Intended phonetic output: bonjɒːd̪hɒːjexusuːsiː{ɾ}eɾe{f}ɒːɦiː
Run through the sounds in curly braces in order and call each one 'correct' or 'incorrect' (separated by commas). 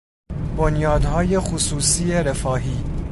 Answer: incorrect, correct